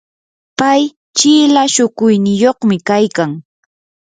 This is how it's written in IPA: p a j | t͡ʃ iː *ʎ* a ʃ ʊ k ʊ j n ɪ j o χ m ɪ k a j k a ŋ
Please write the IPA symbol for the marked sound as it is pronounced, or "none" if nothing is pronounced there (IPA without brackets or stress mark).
l